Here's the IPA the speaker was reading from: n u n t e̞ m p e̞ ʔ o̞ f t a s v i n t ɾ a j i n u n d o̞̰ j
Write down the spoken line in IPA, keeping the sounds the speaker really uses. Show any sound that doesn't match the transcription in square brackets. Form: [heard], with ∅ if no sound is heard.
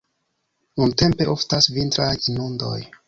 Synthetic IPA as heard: n u n t e̞ m p e̞ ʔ o̞ f t a s v i n t ɾ a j i n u n d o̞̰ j